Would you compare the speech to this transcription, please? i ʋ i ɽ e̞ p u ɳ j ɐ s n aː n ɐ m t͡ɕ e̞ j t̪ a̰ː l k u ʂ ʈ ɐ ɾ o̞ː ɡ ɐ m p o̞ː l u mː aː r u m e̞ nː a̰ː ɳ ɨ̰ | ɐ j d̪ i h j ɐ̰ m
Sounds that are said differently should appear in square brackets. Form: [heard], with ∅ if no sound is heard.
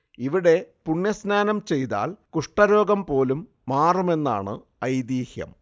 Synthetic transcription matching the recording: i ʋ i ɽ e̞ p u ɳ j ɐ s n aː n ɐ m t͡ɕ e̞ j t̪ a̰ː l k u ʂ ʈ ɐ ɾ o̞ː ɡ ɐ m p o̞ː l u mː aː r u m e̞ nː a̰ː ɳ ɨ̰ | ɐ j d̪ [iː] h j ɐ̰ m